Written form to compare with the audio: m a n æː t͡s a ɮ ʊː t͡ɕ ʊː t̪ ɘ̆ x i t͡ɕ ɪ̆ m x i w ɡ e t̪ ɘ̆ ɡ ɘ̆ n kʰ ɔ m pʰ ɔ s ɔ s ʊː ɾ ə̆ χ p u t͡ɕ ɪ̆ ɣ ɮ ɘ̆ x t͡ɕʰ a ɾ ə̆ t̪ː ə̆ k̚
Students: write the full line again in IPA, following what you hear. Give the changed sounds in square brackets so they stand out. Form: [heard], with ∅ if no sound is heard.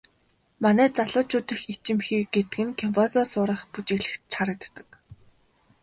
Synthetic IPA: m a n æː t͡s a ɮ ʊː t͡ɕ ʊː t̪ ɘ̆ x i t͡ɕ ɪ̆ m x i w ɡ e t̪ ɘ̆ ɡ ɘ̆ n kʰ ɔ m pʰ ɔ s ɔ s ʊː ɾ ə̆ χ p u t͡ɕ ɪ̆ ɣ ɮ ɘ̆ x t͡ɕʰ a ɾ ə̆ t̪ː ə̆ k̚